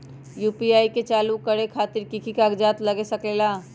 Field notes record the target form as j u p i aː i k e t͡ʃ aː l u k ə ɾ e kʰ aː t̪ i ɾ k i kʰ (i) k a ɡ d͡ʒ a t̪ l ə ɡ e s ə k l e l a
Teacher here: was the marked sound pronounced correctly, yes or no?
yes